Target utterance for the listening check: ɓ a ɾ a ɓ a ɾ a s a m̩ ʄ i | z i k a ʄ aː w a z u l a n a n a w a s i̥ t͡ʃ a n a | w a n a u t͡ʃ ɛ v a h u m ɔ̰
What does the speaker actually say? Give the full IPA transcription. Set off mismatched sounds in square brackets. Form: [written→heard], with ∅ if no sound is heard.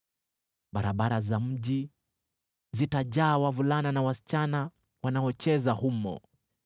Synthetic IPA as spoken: ɓ a ɾ a ɓ a ɾ a [s→z] a m̩ ʄ i | z i [k→t] a ʄ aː w a [z→v] u l a n a n a w a s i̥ t͡ʃ a n a | w a n a [u→ɔ] t͡ʃ ɛ [v→z] a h u m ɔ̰